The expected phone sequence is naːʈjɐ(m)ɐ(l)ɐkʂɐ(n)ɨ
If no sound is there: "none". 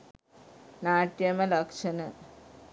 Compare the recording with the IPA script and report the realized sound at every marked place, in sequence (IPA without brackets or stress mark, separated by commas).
m, l, n